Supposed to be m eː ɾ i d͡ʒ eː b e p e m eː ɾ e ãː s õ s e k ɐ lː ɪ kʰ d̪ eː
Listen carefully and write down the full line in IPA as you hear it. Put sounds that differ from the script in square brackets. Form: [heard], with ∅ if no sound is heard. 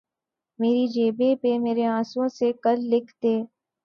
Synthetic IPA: m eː ɾ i d͡ʒ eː b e p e m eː ɾ e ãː s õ s e k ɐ lː ɪ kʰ [t̪] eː

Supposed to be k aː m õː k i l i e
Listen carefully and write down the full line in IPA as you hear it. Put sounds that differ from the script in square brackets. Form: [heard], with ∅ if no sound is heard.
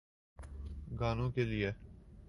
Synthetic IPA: [ɡ] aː [n] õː k [e] l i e

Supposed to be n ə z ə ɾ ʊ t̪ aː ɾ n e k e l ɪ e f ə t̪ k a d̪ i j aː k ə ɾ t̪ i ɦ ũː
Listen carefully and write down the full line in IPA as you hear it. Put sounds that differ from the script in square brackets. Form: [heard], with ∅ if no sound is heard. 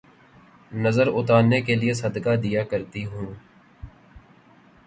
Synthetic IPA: n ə z ə ɾ ʊ t̪ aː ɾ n e k e l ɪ e [s] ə [d̪] k a d̪ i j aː k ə ɾ t̪ i ɦ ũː

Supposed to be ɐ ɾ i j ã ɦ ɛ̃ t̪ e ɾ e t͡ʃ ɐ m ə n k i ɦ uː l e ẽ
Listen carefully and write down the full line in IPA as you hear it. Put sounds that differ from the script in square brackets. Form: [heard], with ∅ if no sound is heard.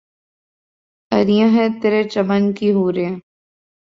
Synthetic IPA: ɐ ɾ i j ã ɦ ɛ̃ t̪ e ɾ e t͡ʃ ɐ m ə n k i ɦ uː [ɾ] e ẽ

